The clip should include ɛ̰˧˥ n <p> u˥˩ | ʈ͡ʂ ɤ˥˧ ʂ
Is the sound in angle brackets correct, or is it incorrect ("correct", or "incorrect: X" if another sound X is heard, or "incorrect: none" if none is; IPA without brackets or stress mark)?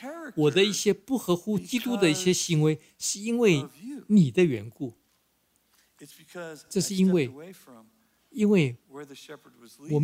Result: incorrect: k